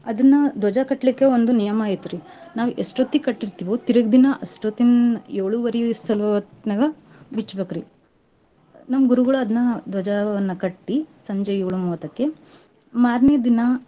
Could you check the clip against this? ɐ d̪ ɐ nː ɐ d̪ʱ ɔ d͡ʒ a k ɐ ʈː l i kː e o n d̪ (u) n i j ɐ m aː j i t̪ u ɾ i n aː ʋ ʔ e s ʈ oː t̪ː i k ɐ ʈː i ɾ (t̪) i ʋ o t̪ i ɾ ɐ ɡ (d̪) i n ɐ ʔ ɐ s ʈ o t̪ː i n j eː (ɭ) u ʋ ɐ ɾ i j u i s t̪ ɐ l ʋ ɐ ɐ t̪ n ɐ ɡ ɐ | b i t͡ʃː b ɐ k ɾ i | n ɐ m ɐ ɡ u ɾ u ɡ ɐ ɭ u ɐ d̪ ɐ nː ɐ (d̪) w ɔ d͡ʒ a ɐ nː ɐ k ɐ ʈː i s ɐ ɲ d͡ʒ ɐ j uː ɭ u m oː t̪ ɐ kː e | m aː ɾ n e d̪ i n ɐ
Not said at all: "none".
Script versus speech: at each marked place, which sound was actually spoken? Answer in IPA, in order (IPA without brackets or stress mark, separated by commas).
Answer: u, t̪, d̪, ɭ, d̪